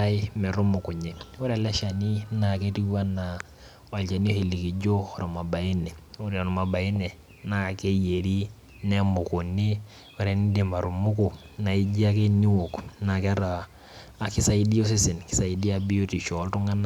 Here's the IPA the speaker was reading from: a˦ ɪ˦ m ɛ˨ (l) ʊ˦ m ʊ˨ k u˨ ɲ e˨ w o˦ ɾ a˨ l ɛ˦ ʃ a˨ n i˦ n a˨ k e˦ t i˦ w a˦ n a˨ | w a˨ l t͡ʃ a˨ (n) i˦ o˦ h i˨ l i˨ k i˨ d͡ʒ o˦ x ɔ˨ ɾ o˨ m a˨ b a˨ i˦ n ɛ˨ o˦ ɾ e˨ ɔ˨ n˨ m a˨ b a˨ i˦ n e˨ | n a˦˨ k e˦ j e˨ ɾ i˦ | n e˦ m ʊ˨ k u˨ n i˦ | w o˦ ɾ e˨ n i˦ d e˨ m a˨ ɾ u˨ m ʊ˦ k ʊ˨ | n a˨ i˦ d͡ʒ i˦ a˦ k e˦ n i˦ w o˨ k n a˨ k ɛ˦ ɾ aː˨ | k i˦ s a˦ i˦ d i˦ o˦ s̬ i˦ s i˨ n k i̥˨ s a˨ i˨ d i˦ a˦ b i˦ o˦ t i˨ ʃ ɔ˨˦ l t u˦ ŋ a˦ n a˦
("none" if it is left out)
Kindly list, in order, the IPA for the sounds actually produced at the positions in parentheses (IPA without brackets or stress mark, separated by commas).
ɾ, n